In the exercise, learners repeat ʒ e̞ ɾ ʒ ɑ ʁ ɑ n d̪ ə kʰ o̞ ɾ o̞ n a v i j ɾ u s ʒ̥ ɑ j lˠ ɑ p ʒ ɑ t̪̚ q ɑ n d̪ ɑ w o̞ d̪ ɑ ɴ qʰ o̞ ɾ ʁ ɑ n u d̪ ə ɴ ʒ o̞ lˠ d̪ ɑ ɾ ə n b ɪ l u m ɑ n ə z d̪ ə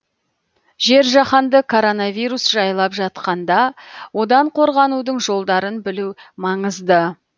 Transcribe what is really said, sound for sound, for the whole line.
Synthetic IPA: ʒ e̞ ɾ ʒ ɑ χ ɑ n d̪ ə kʰ o̞ ɾ o̞ n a v i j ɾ u s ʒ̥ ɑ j lˠ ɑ p ʒ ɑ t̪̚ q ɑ n d̪ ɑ w o̞ d̪ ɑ ɴ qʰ o̞ ɾ ʁ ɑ n u d̪ ə ɴ ʒ o̞ lˠ d̪ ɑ ɾ ə n b ɪ l u m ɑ ɴ ə z d̪ ə